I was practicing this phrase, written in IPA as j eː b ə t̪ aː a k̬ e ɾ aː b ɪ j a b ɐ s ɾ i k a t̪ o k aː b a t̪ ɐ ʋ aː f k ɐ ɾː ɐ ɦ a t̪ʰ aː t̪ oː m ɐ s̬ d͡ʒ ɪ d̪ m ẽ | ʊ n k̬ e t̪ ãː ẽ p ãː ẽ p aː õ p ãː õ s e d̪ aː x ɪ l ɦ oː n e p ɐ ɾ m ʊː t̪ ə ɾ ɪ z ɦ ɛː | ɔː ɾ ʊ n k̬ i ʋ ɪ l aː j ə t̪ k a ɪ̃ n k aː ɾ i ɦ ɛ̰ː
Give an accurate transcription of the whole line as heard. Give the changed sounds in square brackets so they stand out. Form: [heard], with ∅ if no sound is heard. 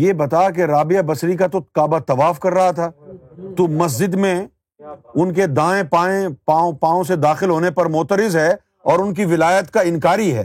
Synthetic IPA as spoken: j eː b [ɐ] t̪ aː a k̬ e ɾ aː b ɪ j a b ɐ s ɾ i k a t̪ o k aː b a t̪ ɐ ʋ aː f k ɐ ɾː ɐ ɦ a t̪ʰ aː t̪ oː m ɐ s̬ d͡ʒ ɪ d̪ m ẽ | ʊ n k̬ e [d̪] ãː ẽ p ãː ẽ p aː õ p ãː õ s e d̪ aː x ɪ l ɦ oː n e p ɐ ɾ m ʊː t̪ ə ɾ ɪ z ɦ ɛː | ɔː ɾ ʊ n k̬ i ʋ ɪ l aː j ə t̪ k a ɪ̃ n k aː ɾ i ɦ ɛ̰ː